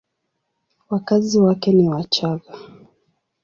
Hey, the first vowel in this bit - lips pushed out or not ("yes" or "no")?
no